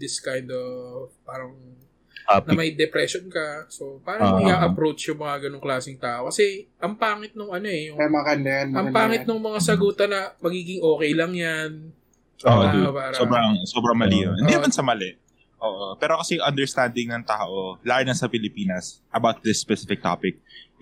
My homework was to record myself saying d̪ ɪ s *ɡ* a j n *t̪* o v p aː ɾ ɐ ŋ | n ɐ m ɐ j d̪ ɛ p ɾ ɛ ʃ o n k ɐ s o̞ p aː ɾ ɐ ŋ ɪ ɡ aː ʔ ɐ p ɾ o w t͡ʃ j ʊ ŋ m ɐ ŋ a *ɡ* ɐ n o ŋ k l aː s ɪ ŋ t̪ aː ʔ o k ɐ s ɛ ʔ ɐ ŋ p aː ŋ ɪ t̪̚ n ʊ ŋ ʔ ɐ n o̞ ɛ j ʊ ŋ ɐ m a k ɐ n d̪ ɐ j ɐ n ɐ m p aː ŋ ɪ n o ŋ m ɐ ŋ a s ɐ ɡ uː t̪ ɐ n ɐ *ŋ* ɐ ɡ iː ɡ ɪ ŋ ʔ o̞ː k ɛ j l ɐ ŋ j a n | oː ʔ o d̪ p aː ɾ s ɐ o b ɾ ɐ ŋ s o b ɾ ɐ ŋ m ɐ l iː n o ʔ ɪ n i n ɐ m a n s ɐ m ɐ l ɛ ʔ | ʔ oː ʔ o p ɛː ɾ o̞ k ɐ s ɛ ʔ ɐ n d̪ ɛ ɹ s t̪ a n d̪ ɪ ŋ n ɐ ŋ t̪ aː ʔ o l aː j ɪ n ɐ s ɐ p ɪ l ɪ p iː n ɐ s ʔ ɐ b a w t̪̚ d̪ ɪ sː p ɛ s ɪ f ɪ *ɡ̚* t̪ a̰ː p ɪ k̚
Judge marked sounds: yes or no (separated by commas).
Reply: no, no, yes, no, no